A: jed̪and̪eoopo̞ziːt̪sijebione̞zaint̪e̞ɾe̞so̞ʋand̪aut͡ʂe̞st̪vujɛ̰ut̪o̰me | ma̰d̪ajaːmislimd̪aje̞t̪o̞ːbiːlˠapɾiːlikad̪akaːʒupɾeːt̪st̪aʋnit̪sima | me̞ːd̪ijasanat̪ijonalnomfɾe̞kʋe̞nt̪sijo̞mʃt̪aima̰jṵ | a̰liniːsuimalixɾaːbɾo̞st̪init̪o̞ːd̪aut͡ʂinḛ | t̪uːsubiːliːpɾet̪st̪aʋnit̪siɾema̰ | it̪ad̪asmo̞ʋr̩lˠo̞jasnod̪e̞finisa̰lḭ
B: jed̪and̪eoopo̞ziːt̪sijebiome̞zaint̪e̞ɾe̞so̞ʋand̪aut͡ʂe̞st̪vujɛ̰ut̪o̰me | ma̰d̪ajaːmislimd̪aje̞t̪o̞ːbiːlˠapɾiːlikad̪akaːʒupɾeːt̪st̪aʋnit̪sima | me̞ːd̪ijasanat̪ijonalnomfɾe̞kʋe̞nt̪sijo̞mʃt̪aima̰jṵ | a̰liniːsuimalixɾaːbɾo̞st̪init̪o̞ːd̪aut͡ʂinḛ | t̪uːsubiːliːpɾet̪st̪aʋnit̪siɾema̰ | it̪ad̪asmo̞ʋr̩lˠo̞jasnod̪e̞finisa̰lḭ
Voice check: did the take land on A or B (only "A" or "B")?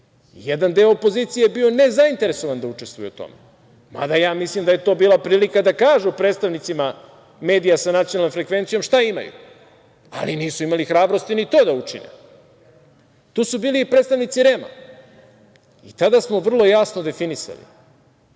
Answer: A